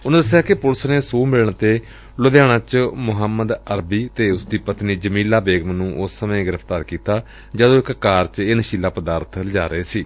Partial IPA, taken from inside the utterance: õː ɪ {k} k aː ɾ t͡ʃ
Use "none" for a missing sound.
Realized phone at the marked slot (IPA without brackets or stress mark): k